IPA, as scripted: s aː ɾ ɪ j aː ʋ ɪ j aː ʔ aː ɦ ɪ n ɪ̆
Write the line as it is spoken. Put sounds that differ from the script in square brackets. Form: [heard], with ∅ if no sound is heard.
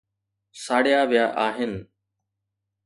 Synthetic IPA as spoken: s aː [ɽ] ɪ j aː ʋ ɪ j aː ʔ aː ɦ ɪ n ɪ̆